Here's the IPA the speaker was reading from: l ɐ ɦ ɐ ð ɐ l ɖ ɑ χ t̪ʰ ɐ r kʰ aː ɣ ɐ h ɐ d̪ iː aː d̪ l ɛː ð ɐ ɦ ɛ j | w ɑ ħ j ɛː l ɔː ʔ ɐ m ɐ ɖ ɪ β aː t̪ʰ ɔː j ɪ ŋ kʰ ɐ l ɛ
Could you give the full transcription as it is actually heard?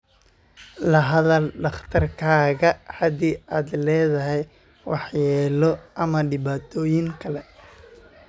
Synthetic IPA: l ɐ ɦ ɐ ð ɐ l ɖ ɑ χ t̪ʰ ɐ r kʰ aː ɣ ɐ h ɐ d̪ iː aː d̪ l ɛː ð ɐ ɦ ɛ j | w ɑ ħ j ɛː l ɔ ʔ ɐ m ɐ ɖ ɪ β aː t̪ʰ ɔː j ɪ ŋ kʰ ɐ l ɛ

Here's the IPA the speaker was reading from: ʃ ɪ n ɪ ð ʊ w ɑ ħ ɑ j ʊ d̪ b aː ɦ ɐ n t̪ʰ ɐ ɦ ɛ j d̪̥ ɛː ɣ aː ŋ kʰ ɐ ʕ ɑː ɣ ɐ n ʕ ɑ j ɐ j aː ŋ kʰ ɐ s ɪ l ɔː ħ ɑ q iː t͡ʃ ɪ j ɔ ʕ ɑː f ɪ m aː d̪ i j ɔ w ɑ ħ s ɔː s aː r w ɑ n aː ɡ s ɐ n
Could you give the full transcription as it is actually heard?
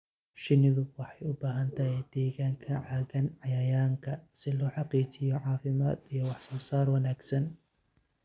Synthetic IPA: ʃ ɪ n ɪ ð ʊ w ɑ ħ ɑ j ʊ b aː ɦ ɐ n t̪ʰ ɐ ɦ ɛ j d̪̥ ɛː ɣ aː ŋ kʰ ɐ ʕ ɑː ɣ ɐ n ʕ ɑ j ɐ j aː ŋ kʰ ɐ s ɪ l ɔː ħ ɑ q iː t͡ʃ ɪ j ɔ ʕ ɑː f ɪ m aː d̪ i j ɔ w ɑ ħ s ɔː s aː r w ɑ n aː ɡ s ɐ n

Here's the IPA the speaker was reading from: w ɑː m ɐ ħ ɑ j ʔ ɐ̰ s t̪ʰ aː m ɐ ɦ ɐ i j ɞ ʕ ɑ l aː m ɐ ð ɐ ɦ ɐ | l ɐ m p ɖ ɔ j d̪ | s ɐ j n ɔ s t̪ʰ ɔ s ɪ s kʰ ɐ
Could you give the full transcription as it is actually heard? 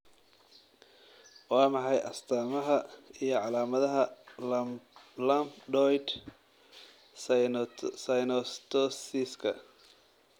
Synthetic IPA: w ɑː m ɑ ħ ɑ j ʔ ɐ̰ s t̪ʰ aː m ɐ ɦ ɐ i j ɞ ʕ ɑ l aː m ɐ ð ɐ ɦ ɐ | l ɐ m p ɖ ɔ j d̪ | s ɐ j n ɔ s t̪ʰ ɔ s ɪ s kʰ ɐ

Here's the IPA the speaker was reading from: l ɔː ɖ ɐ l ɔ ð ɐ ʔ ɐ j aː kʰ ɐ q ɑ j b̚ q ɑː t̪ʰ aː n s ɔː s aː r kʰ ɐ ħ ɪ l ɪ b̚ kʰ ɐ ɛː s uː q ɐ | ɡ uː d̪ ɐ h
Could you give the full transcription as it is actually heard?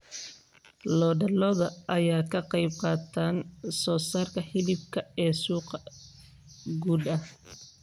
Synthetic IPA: l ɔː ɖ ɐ l ɔ ð ɐ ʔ ɐ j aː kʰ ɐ q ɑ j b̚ q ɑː t̪ʰ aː n s ɔː s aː r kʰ ɐ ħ ɪ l ɪ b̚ kʰ ɐ ɛː s uː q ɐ | ɡ uː d̪ ɐ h

